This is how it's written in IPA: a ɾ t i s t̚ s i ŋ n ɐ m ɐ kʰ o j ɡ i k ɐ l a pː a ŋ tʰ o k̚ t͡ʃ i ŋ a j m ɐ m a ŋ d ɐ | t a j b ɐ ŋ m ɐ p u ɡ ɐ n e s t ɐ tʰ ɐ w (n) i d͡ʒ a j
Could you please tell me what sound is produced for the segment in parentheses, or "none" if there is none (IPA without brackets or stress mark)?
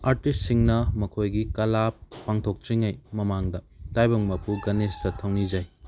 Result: n